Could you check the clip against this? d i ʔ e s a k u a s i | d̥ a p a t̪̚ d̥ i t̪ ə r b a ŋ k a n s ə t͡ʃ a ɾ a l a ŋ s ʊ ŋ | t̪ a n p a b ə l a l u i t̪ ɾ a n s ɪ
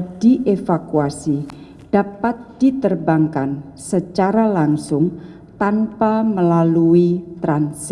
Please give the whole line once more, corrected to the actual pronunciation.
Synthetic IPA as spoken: d i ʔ e f a k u a s i | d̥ a p a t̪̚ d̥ i t̪ ə r b a ŋ k a n s ə t͡ʃ a ɾ a l a ŋ s ʊ ŋ | t̪ a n p a m ə l a l u i t̪ ɾ a n s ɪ